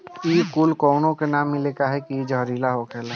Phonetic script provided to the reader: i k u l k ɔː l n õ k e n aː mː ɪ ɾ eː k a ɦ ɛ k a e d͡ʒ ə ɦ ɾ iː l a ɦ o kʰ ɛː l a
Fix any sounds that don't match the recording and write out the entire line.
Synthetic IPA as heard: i k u l k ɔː n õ k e n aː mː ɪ l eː k a ɦ ɛ k i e d͡ʒ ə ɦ ɾ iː l a ɦ o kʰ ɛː l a